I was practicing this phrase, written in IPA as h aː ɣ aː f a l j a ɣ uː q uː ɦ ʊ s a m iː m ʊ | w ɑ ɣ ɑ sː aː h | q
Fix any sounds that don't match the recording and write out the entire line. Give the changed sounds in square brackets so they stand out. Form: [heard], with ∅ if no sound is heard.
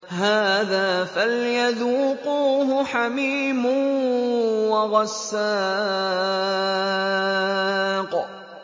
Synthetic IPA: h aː [ð] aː f a l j a [ð] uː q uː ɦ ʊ [ħ] a m iː m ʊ | w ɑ ɣ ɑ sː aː [∅] | q

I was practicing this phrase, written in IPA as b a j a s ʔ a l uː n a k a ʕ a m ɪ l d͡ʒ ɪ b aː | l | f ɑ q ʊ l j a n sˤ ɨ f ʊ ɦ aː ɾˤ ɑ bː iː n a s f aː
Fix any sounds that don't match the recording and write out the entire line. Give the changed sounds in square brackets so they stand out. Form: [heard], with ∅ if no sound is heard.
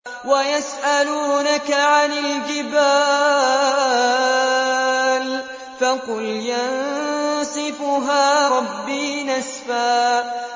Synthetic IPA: [w] a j a s ʔ a l uː n a k a ʕ a [n] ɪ l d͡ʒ ɪ b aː | l | f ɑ q ʊ l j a n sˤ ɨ f ʊ ɦ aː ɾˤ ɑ bː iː n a s f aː

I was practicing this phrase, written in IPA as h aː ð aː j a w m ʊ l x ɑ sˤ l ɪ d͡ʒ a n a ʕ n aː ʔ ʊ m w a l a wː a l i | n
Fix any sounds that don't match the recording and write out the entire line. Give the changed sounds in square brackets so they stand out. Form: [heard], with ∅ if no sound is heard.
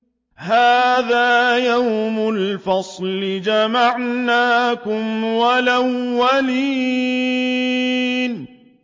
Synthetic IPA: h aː ð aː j a w m ʊ l [f] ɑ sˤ l ɪ d͡ʒ a [m] a ʕ n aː [k] ʊ m w a l a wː a l [iː] | n

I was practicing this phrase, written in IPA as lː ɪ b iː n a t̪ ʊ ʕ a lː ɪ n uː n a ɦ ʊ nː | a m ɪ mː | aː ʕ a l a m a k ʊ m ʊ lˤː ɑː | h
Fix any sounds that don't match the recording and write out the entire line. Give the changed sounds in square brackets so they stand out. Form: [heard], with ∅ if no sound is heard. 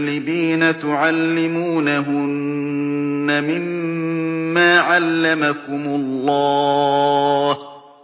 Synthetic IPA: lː ɪ b iː n a t̪ ʊ ʕ a lː ɪ [m] uː n a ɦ ʊ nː | a m ɪ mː | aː ʕ a [lː] a m a k ʊ m ʊ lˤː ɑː | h

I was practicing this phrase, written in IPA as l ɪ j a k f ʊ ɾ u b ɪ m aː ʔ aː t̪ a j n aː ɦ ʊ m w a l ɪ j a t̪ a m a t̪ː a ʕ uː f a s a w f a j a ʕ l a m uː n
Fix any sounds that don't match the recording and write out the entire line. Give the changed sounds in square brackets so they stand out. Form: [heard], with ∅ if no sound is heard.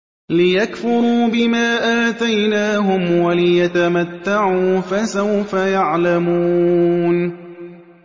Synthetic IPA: l ɪ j a k f ʊ ɾ [uː] b ɪ m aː ʔ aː t̪ a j n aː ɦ ʊ m w a l ɪ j a t̪ a m a t̪ː a ʕ uː f a s a w f a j a ʕ l a m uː n

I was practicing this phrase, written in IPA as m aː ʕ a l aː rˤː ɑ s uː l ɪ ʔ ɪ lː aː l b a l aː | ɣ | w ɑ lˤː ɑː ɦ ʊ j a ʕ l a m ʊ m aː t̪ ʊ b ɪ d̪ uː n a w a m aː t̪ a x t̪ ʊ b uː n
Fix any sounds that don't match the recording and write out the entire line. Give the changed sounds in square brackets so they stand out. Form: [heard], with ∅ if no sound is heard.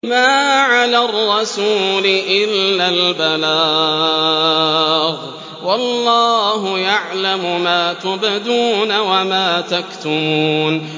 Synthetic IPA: m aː ʕ a l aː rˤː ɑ s uː l ɪ ʔ ɪ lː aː l b a l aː | ɣ | w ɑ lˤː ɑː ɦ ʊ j a ʕ l a m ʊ m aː t̪ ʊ b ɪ d̪ uː n a w a m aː t̪ a [k] t̪ ʊ [m] uː n

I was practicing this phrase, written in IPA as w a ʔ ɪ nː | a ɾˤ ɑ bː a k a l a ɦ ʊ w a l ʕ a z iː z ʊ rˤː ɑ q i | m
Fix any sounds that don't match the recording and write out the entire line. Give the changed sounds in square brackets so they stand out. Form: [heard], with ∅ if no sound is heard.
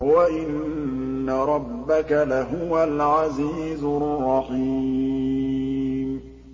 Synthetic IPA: w a ʔ ɪ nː | a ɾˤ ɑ bː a k a l a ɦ ʊ w a l ʕ a z iː z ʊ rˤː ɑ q i | m

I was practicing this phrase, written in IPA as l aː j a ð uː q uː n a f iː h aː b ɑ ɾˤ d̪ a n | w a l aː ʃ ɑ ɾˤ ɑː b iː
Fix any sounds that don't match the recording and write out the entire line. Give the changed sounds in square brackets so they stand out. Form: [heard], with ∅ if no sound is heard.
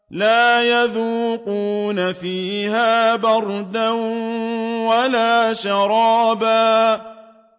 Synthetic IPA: l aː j a ð uː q uː n a f iː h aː b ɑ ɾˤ d̪ a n | w a l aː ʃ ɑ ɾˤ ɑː b [aː]

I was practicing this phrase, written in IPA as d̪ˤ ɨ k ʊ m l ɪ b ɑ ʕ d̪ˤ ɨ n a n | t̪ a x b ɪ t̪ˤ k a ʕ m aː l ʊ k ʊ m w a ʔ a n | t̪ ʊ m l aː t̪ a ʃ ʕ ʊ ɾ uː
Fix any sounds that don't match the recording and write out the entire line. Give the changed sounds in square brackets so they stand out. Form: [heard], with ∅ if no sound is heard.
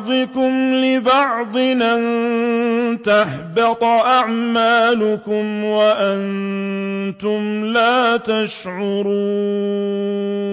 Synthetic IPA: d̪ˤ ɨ k ʊ m l ɪ b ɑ ʕ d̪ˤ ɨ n a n | t̪ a [ħ] b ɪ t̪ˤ [ʔ] a ʕ m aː l ʊ k ʊ m w a ʔ a n | t̪ ʊ m l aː t̪ a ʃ ʕ ʊ ɾ uː

